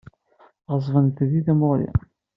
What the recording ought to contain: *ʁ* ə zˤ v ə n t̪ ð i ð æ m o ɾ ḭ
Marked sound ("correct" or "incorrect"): correct